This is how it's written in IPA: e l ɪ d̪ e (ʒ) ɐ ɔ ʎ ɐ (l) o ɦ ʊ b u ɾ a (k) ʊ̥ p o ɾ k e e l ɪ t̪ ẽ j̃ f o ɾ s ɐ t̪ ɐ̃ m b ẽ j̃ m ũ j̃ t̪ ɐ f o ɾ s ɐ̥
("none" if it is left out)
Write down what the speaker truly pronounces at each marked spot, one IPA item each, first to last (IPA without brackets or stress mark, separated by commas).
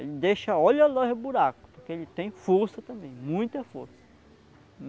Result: ʃ, l, k